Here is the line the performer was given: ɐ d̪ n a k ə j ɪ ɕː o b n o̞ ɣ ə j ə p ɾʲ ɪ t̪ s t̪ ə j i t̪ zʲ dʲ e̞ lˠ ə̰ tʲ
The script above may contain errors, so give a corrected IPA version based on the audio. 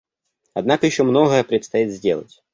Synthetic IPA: ɐ d̪ n a k ə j ɪ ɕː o m n o̞ ɣ ə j ə p ɾʲ ɪ t̪ s t̪ ɐ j i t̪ zʲ dʲ e̞ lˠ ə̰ tʲ